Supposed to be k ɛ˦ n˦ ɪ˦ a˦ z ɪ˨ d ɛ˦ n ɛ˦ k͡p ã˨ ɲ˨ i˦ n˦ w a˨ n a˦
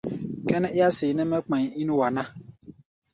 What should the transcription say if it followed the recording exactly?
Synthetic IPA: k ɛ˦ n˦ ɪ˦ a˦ s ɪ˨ n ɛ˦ m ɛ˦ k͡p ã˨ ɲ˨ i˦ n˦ w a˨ n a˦